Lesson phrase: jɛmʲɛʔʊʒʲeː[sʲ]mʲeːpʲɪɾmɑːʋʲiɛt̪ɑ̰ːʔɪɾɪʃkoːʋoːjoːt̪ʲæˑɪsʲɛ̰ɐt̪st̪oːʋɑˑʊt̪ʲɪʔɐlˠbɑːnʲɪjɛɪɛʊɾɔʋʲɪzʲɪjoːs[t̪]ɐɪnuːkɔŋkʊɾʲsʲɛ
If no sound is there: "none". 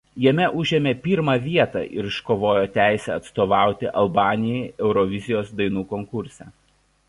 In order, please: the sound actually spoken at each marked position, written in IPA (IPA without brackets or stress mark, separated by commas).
none, d̪